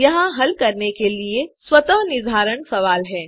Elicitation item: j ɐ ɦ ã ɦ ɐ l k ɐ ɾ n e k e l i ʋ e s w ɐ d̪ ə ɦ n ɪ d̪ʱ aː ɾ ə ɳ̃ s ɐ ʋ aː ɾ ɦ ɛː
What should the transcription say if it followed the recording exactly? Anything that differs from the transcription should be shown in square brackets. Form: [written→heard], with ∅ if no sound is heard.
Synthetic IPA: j ɐ ɦ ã ɦ ɐ l k ɐ ɾ n e k e l i [ʋ→∅] e s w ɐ [d̪→t̪] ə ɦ n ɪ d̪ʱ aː ɾ ə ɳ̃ s ɐ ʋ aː [ɾ→l] ɦ ɛː